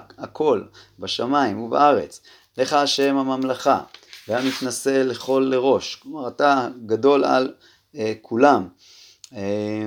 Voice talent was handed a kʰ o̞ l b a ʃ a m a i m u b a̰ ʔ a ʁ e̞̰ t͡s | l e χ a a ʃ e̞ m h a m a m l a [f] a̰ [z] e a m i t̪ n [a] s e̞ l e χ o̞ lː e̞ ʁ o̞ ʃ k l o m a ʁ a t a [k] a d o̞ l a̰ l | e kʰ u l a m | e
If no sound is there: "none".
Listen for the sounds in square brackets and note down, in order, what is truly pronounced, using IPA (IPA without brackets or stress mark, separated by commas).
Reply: χ, v, a, ɡ